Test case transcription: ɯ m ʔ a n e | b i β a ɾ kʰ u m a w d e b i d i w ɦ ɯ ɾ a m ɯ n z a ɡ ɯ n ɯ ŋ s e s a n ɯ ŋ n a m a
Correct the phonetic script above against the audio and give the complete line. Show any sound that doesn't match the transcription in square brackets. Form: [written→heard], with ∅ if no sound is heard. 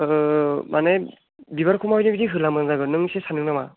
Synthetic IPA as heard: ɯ m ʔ a n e | b i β a ɾ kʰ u m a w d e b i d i [w→∅] ɦ ɯ [ɾ→l] a m ɯ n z a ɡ ɯ n ɯ ŋ s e s a n ɯ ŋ n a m a